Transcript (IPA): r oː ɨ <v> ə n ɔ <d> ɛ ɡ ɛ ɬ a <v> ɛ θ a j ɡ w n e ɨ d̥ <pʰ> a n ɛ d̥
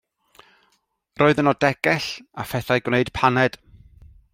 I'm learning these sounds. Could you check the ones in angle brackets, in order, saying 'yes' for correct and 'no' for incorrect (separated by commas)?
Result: no, yes, no, yes